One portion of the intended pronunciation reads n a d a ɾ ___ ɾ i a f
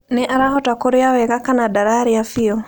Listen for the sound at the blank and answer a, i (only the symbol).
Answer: a